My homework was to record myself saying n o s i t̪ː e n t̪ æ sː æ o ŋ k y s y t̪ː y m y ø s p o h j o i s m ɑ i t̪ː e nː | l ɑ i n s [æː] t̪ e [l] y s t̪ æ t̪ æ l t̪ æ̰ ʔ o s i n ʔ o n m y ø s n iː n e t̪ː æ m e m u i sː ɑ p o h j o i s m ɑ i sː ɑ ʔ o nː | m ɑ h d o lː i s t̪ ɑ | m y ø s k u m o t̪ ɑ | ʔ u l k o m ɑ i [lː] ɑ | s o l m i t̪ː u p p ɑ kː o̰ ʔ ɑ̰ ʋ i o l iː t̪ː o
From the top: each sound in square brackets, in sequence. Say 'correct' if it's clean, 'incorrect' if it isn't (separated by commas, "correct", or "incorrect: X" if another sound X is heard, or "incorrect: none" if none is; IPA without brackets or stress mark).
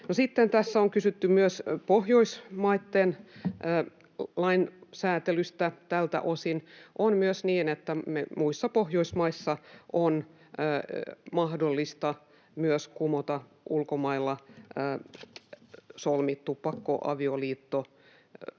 correct, correct, correct